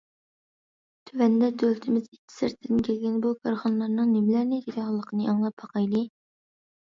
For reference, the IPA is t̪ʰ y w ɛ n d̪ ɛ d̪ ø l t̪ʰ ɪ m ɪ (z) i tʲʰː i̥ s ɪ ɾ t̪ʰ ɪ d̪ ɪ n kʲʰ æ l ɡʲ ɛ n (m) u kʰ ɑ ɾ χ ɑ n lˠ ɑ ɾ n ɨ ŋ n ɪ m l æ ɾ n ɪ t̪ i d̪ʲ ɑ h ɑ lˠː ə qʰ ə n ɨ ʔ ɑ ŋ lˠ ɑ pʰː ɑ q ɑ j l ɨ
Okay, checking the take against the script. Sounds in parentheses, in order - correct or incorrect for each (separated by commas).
correct, incorrect